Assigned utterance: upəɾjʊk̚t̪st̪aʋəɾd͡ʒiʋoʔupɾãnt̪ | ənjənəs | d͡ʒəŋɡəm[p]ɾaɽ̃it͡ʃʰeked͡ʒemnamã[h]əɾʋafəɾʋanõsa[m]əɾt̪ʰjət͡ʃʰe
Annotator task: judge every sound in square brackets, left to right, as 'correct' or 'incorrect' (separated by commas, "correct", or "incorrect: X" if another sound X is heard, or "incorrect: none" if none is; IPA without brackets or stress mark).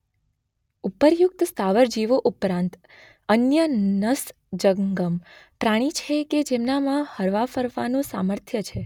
correct, correct, correct